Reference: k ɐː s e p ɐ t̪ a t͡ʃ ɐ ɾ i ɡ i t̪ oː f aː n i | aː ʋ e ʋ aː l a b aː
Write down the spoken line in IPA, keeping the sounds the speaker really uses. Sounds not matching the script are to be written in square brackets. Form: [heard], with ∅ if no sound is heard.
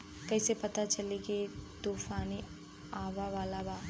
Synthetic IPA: k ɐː s e p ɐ t̪ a t͡ʃ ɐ [l] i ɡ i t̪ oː f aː n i | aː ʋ [a] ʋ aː l a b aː

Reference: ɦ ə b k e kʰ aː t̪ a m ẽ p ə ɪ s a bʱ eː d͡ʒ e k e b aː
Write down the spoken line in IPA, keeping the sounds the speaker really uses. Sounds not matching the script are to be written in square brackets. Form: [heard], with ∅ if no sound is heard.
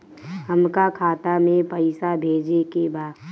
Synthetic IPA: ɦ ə [m] k [a] kʰ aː t̪ a m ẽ p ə ɪ s a bʱ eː d͡ʒ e k e b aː

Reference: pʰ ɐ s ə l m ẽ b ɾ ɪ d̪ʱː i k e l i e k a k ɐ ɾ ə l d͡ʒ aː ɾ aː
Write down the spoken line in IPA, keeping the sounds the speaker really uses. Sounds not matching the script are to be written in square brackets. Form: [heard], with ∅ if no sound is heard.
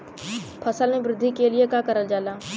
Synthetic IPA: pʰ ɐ s ə l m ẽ b ɾ ɪ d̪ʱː i k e l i e k a k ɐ ɾ ə l d͡ʒ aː [l] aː

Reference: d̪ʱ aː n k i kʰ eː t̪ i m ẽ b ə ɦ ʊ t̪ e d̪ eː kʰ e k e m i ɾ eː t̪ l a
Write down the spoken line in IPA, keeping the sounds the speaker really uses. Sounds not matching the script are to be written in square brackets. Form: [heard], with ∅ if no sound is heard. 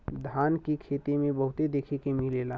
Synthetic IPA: d̪ʱ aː n k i kʰ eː t̪ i m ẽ b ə ɦ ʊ t̪ e d̪ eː kʰ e k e m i [l] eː [∅] l a

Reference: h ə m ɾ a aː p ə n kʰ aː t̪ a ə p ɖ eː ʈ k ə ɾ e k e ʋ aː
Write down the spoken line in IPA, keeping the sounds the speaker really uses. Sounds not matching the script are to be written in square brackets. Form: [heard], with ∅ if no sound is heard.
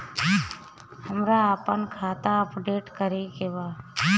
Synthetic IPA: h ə m ɾ a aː p ə n kʰ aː t̪ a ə p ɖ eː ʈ k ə ɾ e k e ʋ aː

